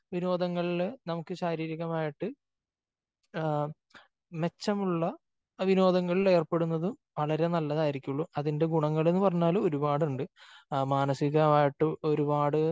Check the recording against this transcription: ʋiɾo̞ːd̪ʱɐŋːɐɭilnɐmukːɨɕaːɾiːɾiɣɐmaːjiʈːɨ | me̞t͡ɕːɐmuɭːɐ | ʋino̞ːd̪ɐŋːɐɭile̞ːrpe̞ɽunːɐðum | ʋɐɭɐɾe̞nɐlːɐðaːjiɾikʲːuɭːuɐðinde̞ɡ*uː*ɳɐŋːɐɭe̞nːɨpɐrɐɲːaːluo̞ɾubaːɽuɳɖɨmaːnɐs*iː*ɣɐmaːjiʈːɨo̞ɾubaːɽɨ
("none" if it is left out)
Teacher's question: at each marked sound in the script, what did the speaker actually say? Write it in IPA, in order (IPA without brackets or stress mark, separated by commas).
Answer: u, i